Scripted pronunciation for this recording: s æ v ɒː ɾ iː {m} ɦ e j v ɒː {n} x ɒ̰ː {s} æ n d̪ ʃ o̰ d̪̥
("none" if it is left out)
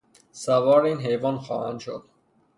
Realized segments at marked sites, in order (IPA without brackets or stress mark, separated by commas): n, n, h